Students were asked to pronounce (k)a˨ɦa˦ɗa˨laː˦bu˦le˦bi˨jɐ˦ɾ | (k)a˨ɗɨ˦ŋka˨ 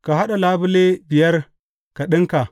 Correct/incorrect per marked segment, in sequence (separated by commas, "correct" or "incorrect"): correct, correct